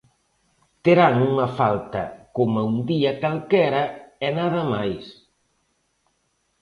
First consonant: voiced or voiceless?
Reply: voiceless